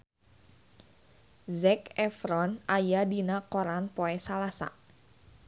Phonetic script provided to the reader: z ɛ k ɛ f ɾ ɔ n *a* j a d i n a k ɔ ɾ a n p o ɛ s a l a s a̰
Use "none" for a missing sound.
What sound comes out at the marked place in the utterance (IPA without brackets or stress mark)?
a